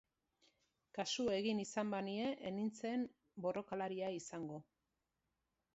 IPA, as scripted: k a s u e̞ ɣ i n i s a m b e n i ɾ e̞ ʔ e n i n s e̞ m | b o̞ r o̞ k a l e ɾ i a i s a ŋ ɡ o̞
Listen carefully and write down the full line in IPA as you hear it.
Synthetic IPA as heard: k a s u e̞ ɣ i n i s a m b a n i e̞ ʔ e n i n t͡s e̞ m | b o̞ r o̞ k a l a ɾ i a i s a ŋ ɡ o̞

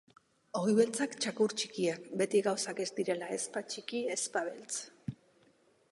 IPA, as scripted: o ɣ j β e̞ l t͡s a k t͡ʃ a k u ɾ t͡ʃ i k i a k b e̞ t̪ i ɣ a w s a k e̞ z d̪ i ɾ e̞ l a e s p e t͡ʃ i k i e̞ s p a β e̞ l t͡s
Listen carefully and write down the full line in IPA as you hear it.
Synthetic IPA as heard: o ɣ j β e̞ l t͡s a k t͡ʃ a k u ɾ t͡ʃ i k i a k b e̞ t̪ i ɣ a w s a k e̞ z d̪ i ɾ e̞ l a e s p a t͡ʃ i k i e̞ s p a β e̞ l t͡s

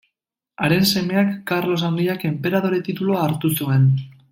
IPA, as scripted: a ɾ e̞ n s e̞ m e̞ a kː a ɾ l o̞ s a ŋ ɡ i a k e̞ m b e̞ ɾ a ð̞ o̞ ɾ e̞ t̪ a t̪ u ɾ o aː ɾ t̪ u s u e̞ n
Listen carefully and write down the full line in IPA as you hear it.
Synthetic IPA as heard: a ɾ e̞ n s e̞ m e̞ a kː a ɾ l o̞ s a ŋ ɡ i a k e̞ m p e̞ ɾ a ð̞ o̞ ɾ e̞ t̪ i t̪ u l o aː ɾ t̪ u s u e̞ n

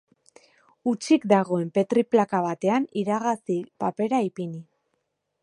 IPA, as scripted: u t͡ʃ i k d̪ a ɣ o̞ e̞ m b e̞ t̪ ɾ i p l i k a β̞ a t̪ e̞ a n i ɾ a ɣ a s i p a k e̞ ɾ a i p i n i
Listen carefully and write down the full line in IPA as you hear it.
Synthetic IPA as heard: u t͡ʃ i k d̪ a ɣ o̞ e̞ m p e̞ t̪ ɾ i p l a k a β̞ a t̪ e̞ a n i ɾ a ɣ a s i p a p e̞ ɾ a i p i n i

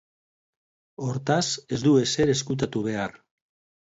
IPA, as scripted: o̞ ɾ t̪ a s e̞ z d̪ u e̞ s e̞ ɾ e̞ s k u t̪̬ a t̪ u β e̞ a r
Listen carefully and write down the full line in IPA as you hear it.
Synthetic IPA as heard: o̞ ɾ t̪ a s e̞ z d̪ u e̞ s e̞ ɾ e̞ s k u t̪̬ a t̪ u β e̞ a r

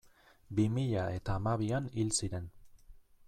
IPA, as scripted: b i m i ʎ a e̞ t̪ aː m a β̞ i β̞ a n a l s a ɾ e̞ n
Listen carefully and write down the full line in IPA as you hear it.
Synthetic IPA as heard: b i m i ʎ a e̞ t̪ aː m a β̞ i a n i l s i ɾ e̞ n

